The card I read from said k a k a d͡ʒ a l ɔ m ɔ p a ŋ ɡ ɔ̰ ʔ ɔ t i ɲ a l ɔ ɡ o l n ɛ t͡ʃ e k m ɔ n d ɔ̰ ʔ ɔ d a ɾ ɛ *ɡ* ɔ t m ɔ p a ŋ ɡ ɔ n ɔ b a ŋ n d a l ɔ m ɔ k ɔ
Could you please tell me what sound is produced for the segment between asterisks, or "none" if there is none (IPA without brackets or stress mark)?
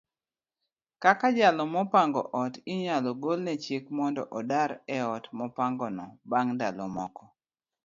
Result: none